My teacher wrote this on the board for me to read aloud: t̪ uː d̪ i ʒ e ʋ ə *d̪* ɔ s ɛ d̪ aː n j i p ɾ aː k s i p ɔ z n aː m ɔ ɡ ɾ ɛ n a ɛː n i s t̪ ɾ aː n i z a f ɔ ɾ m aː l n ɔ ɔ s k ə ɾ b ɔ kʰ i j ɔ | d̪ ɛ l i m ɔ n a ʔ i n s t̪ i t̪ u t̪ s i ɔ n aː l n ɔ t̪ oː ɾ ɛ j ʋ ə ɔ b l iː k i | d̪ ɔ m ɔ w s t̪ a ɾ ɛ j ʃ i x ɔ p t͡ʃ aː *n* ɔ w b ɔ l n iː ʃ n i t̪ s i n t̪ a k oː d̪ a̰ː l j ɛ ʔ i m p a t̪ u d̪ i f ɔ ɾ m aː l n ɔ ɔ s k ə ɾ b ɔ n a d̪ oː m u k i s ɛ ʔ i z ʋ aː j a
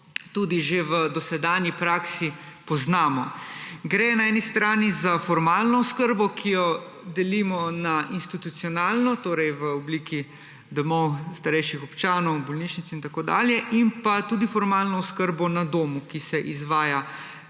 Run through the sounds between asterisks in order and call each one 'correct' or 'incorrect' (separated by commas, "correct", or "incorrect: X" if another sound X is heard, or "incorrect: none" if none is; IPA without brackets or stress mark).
correct, correct